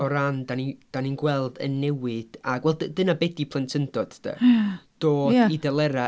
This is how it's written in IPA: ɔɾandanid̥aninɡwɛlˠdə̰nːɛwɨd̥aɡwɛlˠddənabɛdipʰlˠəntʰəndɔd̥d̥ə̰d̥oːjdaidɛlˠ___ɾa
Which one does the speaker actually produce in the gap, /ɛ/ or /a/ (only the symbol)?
ɛ